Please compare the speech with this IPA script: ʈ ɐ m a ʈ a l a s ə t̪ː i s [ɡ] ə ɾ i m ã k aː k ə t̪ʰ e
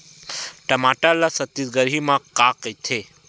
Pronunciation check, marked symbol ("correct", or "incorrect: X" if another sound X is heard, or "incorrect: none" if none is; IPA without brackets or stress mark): correct